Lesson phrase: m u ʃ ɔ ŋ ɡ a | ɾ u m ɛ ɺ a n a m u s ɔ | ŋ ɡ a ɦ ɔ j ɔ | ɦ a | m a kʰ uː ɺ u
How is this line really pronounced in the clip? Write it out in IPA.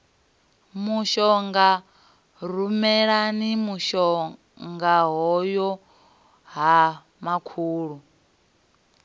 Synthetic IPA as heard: m u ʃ ɔ ŋ ɡ a | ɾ u m ɛ ɺ a n i m u ʃ ɔ | ŋ ɡ a ɦ ɔ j ɔ | ɦ a | m a kʰ uː ɺ u